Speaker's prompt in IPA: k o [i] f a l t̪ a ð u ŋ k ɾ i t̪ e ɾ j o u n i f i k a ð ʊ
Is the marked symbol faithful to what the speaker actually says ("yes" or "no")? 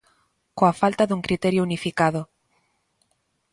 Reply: no